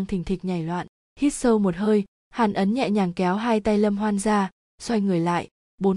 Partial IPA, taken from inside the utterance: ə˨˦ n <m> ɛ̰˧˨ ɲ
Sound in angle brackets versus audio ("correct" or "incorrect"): incorrect